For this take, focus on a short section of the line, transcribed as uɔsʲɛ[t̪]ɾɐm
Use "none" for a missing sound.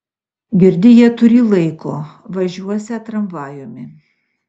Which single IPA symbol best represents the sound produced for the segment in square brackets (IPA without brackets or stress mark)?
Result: t̪